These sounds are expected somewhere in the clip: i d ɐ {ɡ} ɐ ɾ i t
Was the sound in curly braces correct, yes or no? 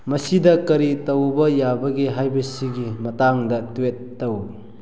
no